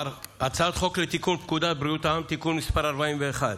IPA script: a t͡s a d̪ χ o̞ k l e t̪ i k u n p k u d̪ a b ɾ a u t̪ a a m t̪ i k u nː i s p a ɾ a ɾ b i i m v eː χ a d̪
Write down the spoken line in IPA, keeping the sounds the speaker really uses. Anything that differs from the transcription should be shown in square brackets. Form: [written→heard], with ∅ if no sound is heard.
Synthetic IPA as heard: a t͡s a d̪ χ o̞ k l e t̪ i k u n p k u d̪ a b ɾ [a→i] u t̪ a a m t̪ i k u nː i s p a ɾ a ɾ b [i→a] i m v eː χ a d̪